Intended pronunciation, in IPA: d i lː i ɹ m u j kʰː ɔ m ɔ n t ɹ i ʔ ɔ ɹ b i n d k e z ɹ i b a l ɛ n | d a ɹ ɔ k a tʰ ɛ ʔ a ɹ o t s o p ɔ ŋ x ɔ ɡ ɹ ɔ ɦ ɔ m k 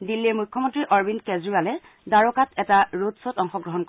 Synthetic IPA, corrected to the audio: d i lː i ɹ m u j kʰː ɔ m ɔ n t ɹ i ʔ ɔ ɹ b i n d k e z ɹ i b a l ɛ | d a ɹ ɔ k a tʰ ɛ t a ɹ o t s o t ɔ ŋ x ɔ ɡ ɹ ɔ ɦ ɔ n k